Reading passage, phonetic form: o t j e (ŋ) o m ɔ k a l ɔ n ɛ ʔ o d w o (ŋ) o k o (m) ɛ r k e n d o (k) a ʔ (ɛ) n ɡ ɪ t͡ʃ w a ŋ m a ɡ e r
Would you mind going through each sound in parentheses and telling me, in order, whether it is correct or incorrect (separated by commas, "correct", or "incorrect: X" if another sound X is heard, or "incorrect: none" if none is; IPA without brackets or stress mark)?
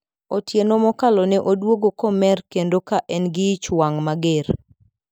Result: incorrect: n, incorrect: ɡ, correct, correct, correct